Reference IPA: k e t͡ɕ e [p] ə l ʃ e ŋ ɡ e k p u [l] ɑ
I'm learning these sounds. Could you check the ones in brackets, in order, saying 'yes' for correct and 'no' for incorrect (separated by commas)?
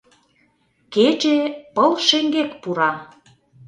yes, no